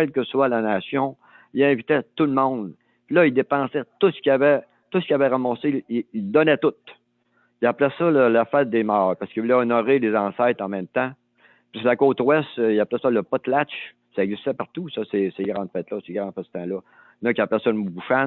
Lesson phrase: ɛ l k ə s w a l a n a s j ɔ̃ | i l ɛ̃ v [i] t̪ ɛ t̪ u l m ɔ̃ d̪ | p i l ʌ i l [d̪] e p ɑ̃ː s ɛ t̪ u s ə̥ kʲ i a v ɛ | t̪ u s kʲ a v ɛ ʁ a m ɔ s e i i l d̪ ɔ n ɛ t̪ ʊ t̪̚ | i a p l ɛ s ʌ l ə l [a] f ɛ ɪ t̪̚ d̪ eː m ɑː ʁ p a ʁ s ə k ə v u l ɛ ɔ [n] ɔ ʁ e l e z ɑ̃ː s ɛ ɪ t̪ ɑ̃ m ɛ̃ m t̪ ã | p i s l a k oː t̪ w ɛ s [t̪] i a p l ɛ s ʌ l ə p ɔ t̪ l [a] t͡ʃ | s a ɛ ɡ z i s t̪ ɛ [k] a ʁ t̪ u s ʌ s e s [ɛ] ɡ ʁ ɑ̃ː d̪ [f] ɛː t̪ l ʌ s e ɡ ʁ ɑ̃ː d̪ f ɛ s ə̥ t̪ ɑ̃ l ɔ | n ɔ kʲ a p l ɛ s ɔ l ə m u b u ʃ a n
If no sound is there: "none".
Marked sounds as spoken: i, d̪, a, n, t̪, a, p, e, f

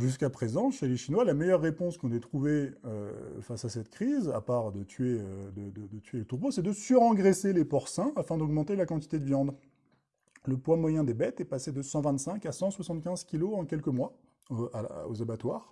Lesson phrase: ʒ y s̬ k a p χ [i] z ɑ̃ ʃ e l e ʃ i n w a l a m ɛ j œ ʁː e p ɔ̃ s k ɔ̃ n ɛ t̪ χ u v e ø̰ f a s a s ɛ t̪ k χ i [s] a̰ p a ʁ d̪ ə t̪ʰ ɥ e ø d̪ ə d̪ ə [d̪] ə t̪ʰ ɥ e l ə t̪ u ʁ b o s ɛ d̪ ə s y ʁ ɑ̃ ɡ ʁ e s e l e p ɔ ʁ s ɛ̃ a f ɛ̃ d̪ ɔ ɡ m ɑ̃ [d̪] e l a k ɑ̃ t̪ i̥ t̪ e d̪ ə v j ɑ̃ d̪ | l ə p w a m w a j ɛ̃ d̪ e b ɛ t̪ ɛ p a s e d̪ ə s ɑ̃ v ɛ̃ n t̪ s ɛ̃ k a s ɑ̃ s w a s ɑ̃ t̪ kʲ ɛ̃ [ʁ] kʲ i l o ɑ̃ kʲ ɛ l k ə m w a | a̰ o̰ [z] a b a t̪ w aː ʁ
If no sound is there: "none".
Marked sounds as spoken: e, z, d̪, t̪, z, z

